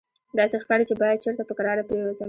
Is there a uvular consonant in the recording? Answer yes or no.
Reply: no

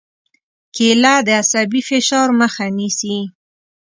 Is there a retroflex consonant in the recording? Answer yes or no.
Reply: no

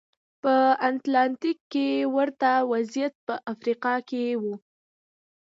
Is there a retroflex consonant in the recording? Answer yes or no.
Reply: no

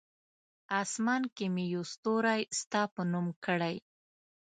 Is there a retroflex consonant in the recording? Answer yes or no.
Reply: yes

